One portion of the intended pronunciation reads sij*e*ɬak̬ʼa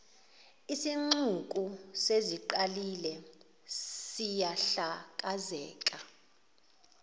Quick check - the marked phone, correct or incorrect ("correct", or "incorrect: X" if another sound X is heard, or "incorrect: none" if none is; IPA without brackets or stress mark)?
incorrect: a